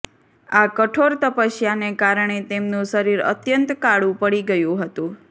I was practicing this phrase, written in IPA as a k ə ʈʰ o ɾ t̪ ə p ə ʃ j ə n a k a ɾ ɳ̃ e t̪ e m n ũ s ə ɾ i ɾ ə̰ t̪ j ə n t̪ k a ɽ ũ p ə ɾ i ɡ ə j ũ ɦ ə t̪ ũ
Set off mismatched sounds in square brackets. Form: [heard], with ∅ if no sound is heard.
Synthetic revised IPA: a k ə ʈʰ o ɾ t̪ ə p ə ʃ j [a] n [e] k a ɾ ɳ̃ e t̪ e m n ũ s ə ɾ i ɾ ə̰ t̪ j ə n t̪ k a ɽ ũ p ə [ɽ] i ɡ ə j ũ ɦ ə t̪ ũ